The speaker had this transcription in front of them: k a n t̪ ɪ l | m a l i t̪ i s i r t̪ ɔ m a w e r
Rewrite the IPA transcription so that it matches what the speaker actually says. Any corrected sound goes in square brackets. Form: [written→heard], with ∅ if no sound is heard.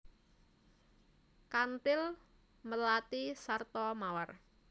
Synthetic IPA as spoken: k a n t̪ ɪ l | m [a→ə] l [i→a] t̪ i s [i→a] r t̪ ɔ m a w [e→a] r

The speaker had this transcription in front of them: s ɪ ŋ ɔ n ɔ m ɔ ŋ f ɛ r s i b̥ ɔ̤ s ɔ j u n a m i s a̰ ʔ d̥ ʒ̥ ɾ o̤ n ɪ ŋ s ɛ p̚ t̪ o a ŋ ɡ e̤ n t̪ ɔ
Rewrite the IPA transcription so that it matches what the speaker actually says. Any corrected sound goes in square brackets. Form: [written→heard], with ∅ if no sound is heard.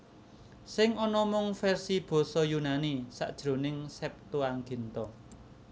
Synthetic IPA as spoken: s ɪ ŋ ɔ n ɔ m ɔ ŋ f ɛ r s i b̥ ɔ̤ s ɔ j u n a [m→n] i s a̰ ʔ d̥ ʒ̥ ɾ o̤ n ɪ ŋ s ɛ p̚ t̪ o a ŋ ɡ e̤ n t̪ ɔ

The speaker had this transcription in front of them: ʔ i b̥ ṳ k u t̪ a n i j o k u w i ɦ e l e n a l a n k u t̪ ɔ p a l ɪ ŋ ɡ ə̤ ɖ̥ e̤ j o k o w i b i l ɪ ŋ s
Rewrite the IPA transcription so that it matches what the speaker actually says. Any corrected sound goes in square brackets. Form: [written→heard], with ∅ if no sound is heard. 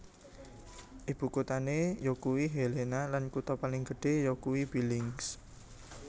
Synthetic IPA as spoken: ʔ i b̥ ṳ k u t̪ a n [i→e] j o k u w i ɦ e l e n a l a n k u t̪ ɔ p a l ɪ ŋ ɡ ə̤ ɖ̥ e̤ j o k [o→u] w i b i l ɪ ŋ s

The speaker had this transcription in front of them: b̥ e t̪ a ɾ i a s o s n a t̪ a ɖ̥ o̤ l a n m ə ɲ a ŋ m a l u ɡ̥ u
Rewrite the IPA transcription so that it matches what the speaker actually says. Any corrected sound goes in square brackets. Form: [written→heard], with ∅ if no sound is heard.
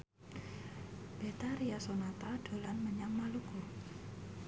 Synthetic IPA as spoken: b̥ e t̪ a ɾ i a s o [s→∅] n a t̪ a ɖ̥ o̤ l a n m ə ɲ a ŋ m a l u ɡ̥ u

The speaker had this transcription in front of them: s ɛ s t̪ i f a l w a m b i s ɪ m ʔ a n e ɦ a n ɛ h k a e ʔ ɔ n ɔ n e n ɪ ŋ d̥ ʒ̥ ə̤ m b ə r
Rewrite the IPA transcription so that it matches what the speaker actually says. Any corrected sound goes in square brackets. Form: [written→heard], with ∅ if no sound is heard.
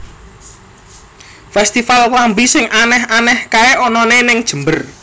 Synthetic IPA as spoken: [s→f] ɛ s t̪ i f a l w a m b i s ɪ [m→ŋ] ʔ a n [e→ɛ] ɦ a n ɛ h k a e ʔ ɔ n ɔ n e n ɪ ŋ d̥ ʒ̥ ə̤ m b ə r

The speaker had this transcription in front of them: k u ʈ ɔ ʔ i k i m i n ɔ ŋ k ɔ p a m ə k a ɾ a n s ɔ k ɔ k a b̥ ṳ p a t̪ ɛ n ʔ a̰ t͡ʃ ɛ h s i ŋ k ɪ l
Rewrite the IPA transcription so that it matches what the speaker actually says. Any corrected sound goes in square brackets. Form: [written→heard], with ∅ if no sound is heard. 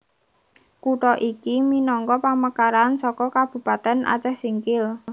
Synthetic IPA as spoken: k u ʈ ɔ ʔ i k i m i n ɔ ŋ k ɔ p a m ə k a ɾ a n s ɔ k ɔ k a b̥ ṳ p a t̪ ɛ n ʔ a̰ t͡ʃ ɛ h s i ŋ k ɪ l

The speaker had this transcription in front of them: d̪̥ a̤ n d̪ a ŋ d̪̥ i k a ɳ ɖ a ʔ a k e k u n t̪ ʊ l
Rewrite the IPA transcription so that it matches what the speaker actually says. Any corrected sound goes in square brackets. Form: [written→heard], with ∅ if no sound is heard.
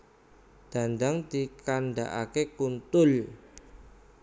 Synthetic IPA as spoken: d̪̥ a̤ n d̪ a ŋ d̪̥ i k a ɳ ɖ a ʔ a k e k u n t̪ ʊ l

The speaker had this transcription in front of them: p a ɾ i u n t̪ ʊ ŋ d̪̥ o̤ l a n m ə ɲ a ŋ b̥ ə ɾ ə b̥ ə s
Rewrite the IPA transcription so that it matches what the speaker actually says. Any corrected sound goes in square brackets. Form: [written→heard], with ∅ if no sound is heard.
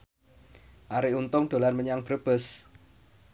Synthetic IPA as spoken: [p→ʔ] a ɾ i u n t̪ ʊ ŋ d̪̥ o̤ l a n m ə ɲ a ŋ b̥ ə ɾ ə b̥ ə s

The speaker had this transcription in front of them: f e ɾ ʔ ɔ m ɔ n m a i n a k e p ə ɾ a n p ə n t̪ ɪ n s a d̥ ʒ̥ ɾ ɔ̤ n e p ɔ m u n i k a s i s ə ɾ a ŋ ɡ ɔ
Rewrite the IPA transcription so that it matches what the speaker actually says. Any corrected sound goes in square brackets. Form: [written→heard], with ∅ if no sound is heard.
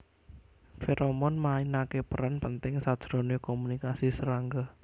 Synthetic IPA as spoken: f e ɾ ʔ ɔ m ɔ n m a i n a k e p ə ɾ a n p ə n t̪ ɪ [n→ŋ] s a d̥ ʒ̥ ɾ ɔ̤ n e [p→k] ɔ m u n i k a s i s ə ɾ a ŋ ɡ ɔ

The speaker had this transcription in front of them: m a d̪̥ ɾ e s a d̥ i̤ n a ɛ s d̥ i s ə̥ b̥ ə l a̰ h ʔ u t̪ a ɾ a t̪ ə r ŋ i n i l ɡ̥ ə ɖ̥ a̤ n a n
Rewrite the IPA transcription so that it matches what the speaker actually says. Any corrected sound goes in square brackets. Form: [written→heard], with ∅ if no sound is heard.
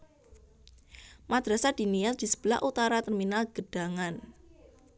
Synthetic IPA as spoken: m a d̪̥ ɾ [e→a] s a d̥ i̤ n [a→i] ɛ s d̥ i s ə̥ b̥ ə l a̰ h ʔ u t̪ a ɾ a t̪ ə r [ŋ→m] i n [i→a] l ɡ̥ ə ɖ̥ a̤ [n→ŋ] a n

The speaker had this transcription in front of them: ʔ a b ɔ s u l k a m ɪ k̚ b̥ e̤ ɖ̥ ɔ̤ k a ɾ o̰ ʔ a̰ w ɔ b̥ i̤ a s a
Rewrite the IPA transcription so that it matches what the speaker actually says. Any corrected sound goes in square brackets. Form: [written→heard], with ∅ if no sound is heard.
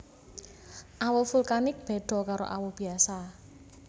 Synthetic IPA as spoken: ʔ a [b→w] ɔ [s→f] u l k a [m→n] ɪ k̚ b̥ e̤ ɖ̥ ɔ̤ k a ɾ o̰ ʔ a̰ w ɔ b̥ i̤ a s a

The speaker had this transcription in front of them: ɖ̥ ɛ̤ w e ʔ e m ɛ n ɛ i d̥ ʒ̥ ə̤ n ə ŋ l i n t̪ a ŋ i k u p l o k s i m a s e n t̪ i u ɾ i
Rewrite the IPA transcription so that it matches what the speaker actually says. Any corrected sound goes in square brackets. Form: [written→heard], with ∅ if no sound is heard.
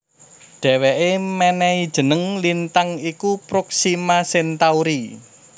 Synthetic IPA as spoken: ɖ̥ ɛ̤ w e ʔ e m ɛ n ɛ i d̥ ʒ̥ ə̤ n ə ŋ l i n t̪ a ŋ i k u p [l→ɾ] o k s i m a s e n t̪ [i→a] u ɾ i

